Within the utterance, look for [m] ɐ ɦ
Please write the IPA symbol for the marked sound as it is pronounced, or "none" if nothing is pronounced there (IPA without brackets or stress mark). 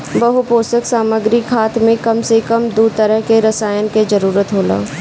b